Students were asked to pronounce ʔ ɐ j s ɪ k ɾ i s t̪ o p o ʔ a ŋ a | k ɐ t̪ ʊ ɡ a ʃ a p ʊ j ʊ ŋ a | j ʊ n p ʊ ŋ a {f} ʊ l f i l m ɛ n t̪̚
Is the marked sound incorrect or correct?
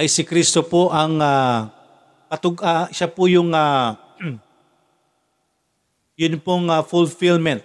correct